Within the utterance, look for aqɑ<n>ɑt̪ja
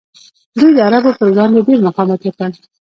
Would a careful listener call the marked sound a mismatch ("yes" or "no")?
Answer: yes